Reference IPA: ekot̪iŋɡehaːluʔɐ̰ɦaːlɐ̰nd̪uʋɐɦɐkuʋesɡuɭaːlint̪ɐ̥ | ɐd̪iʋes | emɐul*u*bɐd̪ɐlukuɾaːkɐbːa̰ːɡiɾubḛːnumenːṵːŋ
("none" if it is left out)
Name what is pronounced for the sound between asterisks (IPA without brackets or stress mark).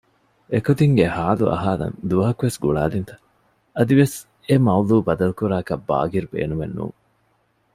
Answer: uː